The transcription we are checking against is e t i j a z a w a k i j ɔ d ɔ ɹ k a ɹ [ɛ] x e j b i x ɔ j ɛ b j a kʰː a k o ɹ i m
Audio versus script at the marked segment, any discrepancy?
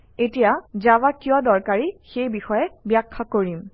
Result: yes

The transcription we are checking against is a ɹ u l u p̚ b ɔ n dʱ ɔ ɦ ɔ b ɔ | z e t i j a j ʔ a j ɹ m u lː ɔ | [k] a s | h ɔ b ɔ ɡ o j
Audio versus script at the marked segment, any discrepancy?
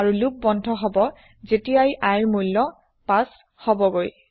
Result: yes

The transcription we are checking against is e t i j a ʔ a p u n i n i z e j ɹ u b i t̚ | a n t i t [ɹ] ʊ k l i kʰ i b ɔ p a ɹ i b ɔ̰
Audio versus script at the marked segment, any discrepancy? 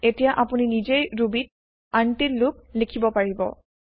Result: yes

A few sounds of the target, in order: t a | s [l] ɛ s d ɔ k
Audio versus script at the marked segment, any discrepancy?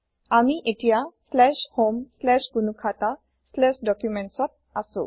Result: no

